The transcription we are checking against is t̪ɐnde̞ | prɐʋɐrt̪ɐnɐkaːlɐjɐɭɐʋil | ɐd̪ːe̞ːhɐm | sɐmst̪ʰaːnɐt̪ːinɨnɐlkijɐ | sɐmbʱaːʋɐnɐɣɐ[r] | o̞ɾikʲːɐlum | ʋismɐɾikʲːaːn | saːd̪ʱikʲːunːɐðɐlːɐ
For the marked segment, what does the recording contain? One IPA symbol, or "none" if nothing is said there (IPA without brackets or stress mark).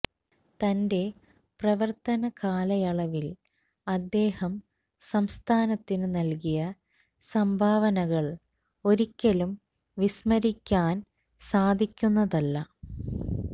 ɭ